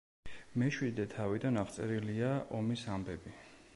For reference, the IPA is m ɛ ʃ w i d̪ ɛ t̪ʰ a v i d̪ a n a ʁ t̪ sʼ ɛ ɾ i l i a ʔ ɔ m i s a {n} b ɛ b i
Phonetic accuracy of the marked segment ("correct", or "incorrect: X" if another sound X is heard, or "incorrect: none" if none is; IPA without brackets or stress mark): incorrect: m